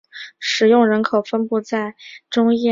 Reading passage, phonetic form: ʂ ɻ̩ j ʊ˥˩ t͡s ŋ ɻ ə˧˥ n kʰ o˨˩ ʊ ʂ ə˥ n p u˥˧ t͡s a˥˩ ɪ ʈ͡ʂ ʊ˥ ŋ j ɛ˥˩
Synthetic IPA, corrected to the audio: ʂ ɻ̩ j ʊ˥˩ ŋ ɻ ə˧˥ n kʰ o˨˩ ʊ f ə˥ n p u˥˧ t͡s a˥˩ ɪ ʈ͡ʂ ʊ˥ ŋ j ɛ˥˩